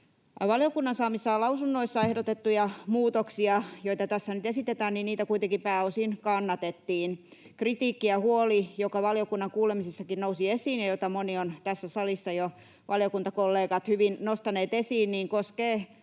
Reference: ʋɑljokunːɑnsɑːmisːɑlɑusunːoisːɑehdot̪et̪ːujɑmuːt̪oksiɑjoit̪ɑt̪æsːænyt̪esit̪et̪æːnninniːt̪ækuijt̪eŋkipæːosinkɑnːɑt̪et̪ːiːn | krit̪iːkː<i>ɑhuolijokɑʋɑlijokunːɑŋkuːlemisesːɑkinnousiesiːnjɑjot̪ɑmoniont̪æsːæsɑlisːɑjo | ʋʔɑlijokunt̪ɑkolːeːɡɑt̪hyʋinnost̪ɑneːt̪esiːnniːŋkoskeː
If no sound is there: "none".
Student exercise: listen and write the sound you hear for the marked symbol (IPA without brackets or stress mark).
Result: i